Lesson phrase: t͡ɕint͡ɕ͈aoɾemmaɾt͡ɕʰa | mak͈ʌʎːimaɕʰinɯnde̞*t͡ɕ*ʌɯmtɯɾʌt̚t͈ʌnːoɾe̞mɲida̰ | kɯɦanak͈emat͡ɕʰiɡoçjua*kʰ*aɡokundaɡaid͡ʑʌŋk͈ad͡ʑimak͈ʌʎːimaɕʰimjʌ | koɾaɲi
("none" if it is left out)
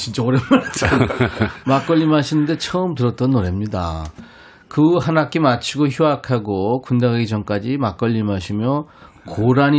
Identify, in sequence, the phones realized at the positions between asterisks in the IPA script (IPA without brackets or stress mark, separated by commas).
t͡ɕʰ, kʰ